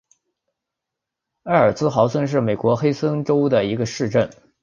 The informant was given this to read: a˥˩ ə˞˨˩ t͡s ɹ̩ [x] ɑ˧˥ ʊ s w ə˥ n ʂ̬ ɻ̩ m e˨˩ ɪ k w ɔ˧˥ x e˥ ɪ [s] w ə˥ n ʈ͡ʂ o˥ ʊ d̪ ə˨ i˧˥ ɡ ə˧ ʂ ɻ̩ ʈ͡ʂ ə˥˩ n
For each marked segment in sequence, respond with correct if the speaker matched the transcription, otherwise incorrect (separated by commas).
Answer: correct, correct